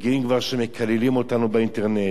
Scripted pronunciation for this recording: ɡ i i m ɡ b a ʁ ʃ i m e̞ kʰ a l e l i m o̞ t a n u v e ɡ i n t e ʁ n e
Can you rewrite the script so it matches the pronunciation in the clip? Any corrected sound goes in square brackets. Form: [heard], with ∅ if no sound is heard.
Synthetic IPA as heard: ɡ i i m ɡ [v] a ʁ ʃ [e] m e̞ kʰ a l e l i m o̞ t a n u [b] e [∅] i n t e ʁ n e